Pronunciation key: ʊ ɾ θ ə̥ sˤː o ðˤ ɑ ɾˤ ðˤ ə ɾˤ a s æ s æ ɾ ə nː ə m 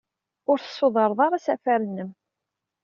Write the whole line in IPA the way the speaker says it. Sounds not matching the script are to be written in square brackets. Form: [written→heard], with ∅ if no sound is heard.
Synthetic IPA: ʊ ɾ θ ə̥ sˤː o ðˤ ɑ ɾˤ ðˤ [ə→ɑ] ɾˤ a s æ [s→f] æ ɾ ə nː ə m